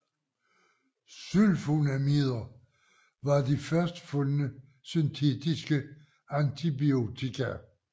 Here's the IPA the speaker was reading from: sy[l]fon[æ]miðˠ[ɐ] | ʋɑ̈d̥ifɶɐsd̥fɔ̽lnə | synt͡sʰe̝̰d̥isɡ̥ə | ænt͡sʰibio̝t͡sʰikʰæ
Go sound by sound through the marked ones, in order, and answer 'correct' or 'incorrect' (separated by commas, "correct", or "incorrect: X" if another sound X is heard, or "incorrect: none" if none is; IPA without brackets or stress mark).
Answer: correct, correct, correct